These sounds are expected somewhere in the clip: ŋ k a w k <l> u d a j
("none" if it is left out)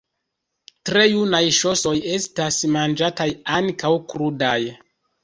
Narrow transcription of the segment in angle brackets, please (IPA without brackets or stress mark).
ɾ